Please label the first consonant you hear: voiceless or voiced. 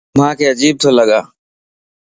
voiced